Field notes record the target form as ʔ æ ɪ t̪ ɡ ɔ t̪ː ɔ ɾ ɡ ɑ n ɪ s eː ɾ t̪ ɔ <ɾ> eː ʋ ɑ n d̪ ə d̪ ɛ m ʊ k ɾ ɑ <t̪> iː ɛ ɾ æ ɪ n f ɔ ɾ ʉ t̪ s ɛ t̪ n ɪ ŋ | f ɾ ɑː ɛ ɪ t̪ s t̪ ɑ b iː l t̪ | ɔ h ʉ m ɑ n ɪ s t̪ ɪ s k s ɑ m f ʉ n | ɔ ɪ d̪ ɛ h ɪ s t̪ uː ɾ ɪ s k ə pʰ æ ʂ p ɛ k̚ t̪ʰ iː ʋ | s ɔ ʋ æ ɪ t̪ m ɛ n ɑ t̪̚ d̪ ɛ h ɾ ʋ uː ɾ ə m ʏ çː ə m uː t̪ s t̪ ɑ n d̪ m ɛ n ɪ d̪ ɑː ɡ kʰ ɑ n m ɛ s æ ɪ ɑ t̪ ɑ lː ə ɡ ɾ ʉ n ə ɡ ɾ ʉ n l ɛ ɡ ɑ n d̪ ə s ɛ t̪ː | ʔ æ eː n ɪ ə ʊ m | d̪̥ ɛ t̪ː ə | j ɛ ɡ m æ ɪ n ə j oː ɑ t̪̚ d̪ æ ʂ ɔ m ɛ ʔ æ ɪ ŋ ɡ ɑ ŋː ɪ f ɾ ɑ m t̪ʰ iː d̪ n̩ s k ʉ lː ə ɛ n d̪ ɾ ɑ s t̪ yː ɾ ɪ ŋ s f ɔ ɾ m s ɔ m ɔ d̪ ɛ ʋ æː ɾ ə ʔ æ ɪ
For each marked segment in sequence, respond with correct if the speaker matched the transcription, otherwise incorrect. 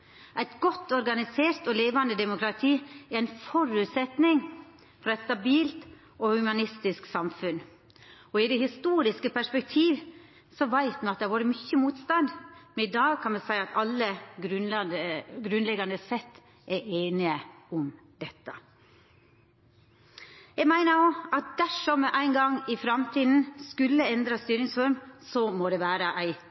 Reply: incorrect, incorrect

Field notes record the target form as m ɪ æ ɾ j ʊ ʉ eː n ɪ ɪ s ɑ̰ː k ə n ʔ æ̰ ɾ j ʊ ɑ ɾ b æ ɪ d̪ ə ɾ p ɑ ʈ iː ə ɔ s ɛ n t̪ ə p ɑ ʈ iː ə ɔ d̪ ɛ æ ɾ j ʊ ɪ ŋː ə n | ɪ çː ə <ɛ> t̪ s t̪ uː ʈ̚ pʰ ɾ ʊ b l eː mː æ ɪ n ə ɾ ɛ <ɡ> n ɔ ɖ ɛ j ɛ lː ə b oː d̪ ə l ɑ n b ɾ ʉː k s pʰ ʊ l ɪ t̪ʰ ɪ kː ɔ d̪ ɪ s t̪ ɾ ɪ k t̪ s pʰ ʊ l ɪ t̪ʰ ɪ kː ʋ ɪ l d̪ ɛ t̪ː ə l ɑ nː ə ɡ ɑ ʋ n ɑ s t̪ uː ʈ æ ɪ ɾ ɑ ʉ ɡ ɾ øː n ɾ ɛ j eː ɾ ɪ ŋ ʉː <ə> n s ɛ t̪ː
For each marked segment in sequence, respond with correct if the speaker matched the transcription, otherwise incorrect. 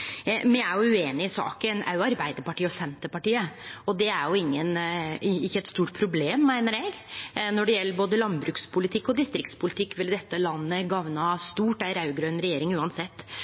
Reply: correct, correct, incorrect

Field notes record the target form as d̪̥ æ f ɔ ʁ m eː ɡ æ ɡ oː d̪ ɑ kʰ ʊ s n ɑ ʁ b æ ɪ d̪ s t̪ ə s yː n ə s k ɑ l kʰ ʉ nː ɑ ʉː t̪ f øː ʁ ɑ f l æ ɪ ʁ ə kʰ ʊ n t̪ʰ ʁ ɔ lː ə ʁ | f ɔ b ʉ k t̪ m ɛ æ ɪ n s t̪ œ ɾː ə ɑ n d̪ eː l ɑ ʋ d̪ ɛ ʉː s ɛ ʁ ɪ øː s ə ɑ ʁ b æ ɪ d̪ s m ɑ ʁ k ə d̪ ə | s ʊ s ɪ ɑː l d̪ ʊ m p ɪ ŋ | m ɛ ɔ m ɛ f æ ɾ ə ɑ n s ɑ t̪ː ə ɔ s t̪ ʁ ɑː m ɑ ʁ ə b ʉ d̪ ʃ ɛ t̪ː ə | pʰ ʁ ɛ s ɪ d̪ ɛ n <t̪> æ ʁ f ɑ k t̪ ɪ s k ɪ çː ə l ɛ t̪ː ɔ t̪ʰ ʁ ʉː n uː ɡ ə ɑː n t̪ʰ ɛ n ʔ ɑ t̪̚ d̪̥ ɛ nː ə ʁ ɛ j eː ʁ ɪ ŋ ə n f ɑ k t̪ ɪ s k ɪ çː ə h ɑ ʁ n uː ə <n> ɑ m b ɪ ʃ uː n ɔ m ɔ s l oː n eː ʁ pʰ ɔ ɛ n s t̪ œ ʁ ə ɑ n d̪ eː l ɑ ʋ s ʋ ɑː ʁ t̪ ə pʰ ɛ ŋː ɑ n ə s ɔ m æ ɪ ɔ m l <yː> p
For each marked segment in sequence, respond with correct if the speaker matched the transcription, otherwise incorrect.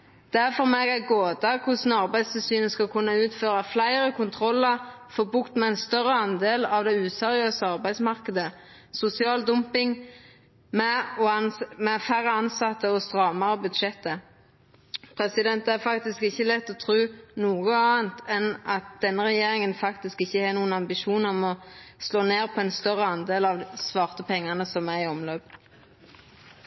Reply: correct, correct, incorrect

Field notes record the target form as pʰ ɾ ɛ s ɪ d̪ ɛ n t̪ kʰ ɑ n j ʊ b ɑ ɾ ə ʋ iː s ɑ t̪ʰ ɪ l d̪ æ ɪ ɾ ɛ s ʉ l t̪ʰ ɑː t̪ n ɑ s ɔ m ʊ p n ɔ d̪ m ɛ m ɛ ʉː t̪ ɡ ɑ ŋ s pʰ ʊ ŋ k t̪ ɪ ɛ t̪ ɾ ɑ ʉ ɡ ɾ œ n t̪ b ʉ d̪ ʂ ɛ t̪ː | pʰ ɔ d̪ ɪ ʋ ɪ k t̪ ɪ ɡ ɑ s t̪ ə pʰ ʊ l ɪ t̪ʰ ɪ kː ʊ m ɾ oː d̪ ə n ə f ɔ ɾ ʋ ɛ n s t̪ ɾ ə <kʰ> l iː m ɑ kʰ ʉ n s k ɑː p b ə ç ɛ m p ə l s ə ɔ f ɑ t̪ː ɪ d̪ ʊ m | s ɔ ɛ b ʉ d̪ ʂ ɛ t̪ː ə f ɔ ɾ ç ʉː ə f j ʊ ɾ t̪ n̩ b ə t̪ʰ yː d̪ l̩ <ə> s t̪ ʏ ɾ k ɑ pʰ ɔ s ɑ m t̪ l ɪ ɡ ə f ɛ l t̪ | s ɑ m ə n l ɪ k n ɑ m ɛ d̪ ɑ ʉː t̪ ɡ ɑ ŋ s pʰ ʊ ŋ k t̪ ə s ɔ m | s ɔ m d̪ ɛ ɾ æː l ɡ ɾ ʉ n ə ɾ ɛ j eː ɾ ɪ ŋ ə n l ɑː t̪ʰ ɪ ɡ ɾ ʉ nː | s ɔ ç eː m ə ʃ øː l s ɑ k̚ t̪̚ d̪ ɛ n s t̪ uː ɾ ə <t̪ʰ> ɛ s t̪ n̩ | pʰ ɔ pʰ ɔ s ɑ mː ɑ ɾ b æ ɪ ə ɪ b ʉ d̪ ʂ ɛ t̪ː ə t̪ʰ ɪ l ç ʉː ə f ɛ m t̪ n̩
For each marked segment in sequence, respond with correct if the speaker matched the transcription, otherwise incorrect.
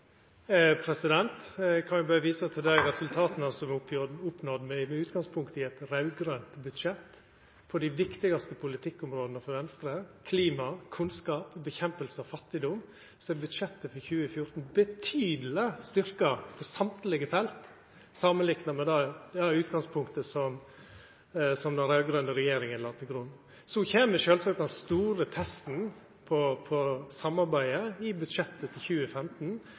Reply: correct, correct, correct

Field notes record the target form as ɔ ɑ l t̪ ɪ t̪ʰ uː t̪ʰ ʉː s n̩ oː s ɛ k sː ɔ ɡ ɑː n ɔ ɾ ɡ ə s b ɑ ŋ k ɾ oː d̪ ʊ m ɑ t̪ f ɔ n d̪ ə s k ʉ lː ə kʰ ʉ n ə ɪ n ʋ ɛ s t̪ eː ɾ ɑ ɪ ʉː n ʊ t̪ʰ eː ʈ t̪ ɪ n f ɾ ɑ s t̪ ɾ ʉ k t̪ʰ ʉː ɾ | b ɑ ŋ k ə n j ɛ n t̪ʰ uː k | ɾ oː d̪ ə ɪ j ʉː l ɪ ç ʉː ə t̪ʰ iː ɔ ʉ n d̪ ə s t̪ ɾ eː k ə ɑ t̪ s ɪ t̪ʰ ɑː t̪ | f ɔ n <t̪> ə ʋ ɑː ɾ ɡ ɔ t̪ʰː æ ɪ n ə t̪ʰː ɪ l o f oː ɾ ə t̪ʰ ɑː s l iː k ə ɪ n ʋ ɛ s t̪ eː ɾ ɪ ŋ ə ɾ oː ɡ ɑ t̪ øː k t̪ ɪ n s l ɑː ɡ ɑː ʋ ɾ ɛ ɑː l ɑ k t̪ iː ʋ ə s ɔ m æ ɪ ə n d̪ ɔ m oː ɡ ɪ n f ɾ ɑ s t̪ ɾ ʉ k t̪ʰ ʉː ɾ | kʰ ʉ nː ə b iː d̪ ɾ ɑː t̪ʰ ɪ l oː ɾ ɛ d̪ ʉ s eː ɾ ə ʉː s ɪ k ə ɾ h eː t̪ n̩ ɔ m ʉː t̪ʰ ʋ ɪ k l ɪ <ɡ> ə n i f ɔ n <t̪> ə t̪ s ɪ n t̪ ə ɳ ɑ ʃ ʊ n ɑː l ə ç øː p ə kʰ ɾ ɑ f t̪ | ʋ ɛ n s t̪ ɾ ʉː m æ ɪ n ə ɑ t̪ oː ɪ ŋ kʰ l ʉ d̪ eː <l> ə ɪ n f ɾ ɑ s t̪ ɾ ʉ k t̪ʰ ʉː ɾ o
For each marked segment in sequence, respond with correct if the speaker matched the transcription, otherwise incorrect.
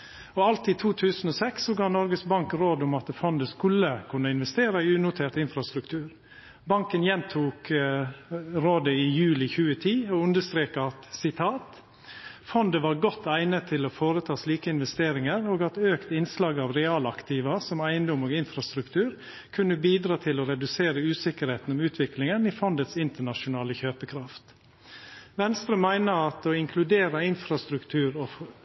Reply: incorrect, incorrect, incorrect, incorrect

